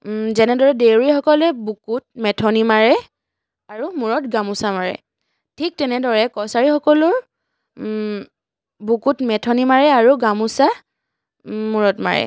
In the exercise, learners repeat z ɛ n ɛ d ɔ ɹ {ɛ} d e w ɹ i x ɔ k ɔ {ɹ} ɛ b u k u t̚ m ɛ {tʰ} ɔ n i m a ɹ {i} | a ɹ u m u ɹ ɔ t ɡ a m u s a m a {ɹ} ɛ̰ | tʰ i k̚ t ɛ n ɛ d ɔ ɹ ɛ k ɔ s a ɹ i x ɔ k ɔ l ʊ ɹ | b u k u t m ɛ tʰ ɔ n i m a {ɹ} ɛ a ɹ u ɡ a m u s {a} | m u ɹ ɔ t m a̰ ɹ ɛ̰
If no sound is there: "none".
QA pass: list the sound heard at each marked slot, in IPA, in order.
ɛ, l, tʰ, ɛ, ɹ, ɹ, a

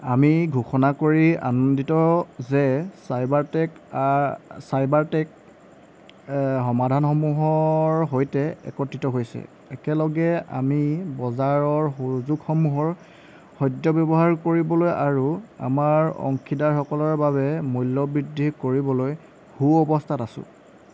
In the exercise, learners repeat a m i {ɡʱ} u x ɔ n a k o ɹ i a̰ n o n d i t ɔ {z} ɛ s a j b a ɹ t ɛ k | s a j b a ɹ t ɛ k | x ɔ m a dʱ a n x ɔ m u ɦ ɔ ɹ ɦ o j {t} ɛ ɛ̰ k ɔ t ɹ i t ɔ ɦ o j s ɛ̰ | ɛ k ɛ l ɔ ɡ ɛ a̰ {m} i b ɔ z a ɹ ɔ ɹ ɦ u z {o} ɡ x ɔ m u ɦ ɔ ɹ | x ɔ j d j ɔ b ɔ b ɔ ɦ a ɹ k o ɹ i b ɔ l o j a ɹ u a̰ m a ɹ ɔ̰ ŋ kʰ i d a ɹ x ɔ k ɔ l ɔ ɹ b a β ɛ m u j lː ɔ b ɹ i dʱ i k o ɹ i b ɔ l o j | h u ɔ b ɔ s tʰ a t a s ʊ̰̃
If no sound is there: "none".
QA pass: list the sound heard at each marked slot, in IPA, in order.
ɡʱ, z, t, m, u

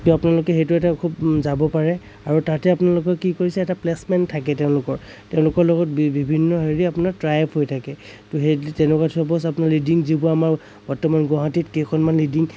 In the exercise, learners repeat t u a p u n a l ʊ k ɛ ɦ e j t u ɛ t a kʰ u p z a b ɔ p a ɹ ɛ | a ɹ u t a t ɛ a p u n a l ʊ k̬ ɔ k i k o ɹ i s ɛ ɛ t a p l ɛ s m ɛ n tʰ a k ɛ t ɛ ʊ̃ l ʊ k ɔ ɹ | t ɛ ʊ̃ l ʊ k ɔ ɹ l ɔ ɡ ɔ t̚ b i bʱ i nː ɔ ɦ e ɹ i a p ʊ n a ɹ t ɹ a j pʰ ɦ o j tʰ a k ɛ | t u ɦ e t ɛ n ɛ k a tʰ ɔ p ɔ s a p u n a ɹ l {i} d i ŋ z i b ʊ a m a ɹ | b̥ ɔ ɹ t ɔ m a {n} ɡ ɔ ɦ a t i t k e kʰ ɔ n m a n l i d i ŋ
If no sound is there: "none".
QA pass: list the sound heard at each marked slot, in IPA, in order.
i, n

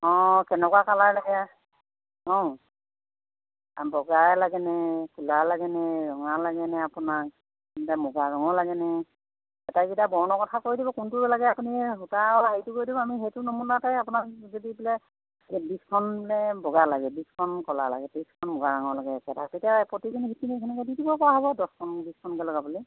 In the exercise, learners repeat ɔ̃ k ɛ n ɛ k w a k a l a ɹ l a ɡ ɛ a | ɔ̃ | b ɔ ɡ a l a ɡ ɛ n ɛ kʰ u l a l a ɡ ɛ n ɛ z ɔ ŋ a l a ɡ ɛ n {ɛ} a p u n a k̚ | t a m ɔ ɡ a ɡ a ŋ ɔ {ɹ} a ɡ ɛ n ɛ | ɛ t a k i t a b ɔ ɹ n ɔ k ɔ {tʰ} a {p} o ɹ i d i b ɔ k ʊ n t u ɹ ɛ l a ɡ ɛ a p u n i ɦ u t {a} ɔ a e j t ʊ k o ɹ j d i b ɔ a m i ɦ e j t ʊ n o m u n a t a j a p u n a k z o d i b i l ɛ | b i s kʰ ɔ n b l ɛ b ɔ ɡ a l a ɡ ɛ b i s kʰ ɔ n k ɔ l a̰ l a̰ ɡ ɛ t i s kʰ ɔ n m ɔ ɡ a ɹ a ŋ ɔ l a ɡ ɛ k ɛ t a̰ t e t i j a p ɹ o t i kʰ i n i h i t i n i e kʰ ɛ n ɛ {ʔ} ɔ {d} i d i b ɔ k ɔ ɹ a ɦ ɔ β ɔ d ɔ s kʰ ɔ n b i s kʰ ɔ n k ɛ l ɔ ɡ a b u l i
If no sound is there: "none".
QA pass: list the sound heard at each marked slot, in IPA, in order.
ɛ, l, tʰ, k, a, k, d

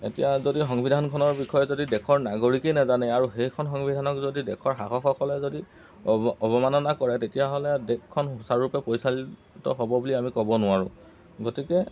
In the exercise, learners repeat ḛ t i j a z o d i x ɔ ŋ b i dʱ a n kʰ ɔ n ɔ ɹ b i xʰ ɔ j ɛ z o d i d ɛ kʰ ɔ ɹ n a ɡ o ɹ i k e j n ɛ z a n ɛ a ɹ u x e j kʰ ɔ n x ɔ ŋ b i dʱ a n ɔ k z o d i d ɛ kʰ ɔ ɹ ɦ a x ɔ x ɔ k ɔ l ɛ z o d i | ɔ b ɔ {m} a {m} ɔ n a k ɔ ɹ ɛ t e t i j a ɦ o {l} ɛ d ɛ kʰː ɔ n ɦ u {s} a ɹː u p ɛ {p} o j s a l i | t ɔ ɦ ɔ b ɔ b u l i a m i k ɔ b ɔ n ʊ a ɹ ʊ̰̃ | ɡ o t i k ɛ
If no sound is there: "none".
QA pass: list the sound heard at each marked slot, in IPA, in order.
m, n, l, s, p

